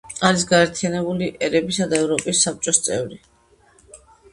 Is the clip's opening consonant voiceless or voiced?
voiced